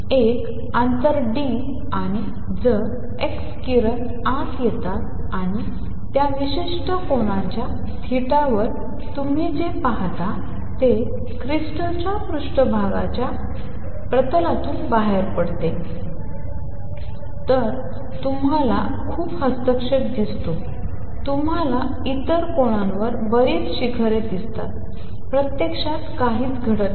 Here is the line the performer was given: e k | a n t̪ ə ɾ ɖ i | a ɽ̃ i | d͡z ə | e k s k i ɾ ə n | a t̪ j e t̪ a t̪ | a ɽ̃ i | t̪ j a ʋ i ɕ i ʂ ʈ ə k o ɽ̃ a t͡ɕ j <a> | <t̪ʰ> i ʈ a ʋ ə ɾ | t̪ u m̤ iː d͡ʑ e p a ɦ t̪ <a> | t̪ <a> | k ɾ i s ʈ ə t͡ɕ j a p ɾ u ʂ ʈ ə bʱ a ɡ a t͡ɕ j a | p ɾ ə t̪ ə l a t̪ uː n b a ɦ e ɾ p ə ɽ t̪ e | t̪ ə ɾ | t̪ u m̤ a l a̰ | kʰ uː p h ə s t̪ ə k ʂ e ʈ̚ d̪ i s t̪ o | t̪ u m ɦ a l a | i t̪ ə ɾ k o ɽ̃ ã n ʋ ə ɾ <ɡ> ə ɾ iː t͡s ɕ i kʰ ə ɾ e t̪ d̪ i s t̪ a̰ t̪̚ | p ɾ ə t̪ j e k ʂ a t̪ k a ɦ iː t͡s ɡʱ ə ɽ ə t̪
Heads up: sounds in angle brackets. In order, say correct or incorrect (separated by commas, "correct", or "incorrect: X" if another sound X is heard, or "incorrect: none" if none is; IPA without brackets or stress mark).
correct, correct, correct, incorrect: e, incorrect: b